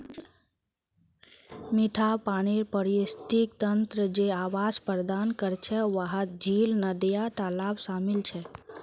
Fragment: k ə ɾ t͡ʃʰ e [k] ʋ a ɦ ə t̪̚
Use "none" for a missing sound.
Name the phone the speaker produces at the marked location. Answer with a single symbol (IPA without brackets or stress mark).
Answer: none